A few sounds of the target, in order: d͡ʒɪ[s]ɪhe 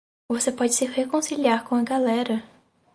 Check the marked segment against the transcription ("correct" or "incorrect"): correct